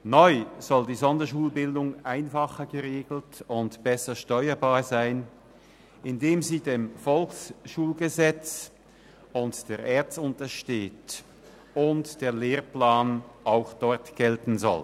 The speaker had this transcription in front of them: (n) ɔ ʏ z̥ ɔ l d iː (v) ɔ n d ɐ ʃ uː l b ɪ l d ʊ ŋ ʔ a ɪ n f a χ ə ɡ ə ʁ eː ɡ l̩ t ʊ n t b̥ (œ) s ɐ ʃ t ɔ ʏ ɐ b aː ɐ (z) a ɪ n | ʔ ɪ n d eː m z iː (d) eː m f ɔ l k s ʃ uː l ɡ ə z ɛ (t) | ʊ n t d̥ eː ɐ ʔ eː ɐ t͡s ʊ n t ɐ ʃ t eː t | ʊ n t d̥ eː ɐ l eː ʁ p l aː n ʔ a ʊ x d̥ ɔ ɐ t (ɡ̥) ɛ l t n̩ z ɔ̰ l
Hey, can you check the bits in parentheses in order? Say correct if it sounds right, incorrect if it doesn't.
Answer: correct, incorrect: z, incorrect: ɛ, correct, correct, incorrect: t͡s, correct

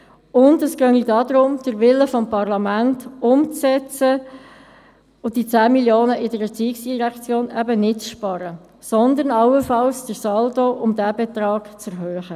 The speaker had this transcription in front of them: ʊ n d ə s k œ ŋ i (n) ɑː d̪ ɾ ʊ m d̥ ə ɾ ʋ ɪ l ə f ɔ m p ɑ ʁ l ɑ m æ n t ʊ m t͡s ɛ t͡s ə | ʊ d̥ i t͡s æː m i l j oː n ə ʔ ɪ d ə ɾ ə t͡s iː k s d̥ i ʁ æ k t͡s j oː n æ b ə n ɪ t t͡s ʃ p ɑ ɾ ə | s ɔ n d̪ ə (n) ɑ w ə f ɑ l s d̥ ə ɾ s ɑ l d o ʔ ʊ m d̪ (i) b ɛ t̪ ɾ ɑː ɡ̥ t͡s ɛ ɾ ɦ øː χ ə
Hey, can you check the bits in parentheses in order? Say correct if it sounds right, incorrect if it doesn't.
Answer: incorrect: d, correct, incorrect: æ

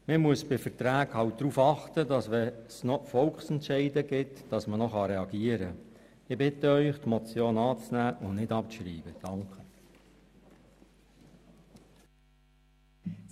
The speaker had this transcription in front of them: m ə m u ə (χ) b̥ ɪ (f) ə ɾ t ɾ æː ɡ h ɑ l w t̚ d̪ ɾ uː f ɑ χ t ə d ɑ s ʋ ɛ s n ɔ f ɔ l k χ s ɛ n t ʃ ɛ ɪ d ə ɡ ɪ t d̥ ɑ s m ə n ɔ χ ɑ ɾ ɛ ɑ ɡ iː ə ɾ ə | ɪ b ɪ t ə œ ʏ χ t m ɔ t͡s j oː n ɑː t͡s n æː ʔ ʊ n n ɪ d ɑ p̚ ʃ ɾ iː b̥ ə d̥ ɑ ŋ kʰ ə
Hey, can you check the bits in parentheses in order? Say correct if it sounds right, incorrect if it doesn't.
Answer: incorrect: s, correct

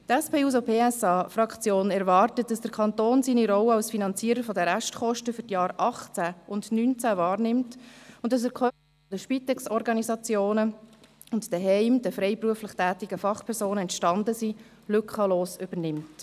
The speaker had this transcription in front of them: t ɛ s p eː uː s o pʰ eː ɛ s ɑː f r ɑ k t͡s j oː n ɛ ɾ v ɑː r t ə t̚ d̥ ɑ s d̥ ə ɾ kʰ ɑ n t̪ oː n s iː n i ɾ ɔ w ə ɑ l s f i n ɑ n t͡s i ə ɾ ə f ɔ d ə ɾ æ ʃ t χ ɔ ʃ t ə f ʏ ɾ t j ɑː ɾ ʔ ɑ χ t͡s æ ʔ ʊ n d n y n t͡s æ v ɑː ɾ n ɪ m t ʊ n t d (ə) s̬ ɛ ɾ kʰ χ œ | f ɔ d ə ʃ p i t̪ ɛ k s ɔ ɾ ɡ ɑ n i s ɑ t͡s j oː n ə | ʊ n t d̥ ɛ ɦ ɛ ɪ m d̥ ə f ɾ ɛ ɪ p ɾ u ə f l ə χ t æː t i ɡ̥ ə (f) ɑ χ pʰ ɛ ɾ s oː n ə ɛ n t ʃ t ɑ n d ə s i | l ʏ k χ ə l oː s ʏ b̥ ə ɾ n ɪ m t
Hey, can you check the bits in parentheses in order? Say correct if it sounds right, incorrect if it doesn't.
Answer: incorrect: ɑ, correct

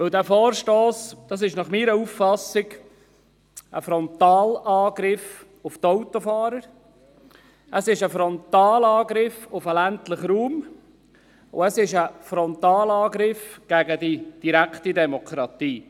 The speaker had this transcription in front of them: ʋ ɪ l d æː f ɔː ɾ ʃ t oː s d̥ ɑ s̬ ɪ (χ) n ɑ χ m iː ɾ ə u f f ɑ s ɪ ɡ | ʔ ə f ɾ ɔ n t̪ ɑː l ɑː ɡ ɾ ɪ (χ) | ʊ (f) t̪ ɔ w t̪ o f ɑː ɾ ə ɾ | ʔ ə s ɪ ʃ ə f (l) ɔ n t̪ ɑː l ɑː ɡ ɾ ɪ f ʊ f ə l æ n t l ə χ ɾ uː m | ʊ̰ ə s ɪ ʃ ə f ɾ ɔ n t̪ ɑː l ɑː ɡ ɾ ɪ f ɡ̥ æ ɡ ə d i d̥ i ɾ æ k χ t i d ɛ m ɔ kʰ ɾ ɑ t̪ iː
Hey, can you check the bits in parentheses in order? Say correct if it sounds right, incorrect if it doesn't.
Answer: incorrect: ʃ, incorrect: f, correct, incorrect: ɾ

